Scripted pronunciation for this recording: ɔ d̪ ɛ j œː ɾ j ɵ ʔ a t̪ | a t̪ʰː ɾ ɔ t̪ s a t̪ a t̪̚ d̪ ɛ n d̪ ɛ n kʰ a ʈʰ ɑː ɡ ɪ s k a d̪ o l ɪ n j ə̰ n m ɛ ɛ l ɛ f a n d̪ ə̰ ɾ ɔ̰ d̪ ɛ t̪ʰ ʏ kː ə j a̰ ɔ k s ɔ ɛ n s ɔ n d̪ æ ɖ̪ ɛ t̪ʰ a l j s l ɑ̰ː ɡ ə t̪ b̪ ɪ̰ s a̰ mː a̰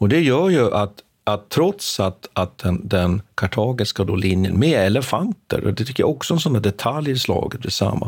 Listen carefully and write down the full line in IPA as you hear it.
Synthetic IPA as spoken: ɔ d̪ ɛ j œː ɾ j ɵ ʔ a t̪ | a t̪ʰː ɾ ɔ t̪ s a t̪ a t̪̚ d̪ ɛ n d̪ ɛ n kʰ a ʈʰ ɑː ɡ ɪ s k a d̪ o l ɪ n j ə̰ n m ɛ ɛ l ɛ f a n t̪ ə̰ ɾ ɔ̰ d̪ ɛ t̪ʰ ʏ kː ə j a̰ ɔ k s ɔ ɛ n s ɔ n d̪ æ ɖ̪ ɛ t̪ʰ a l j s l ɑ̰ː ɡ ə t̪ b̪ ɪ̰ s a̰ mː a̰